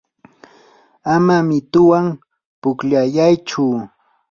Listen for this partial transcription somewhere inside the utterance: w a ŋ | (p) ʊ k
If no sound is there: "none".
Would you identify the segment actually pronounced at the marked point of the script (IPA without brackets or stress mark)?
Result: p